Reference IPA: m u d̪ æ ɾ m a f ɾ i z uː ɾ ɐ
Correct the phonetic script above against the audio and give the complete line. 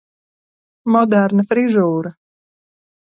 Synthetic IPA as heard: m ɔ d̪ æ ɾ n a f ɾ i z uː ɾ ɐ